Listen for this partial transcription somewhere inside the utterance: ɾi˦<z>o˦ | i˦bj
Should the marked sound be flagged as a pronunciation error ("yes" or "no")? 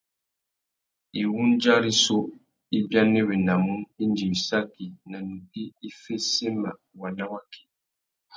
yes